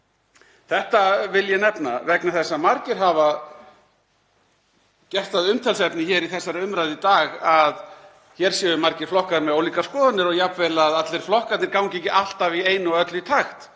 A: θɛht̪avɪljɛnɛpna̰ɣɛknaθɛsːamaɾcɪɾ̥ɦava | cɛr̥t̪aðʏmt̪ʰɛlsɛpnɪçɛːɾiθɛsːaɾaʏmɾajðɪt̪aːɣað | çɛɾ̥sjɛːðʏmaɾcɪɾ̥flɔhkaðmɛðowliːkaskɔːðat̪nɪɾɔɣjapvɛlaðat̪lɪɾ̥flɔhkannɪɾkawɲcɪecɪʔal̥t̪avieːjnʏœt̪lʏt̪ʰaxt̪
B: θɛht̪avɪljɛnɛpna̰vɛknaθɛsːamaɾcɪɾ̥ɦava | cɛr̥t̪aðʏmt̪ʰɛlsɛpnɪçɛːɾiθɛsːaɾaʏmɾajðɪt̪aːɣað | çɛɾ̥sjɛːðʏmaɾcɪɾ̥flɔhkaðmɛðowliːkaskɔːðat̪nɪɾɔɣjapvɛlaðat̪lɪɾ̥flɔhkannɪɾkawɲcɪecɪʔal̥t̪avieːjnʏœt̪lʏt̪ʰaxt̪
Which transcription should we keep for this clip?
B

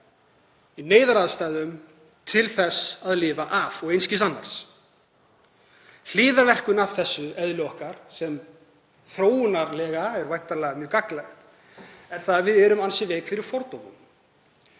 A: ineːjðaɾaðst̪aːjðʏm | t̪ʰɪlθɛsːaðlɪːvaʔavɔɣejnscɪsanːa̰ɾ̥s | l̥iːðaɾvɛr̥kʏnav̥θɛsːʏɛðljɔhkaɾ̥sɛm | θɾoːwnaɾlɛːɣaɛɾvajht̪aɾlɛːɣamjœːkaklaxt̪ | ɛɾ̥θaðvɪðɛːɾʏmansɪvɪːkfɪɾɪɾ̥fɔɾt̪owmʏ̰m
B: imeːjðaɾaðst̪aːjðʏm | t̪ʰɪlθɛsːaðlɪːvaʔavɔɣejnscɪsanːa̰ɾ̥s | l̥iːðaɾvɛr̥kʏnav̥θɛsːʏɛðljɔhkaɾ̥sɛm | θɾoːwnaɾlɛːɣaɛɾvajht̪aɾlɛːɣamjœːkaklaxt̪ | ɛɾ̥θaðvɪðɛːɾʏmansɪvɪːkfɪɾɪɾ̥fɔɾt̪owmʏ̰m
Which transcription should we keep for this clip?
A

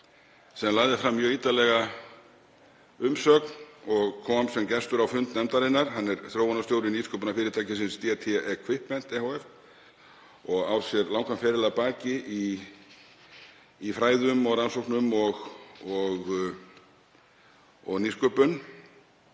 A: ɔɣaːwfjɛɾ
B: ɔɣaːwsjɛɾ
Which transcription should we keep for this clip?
B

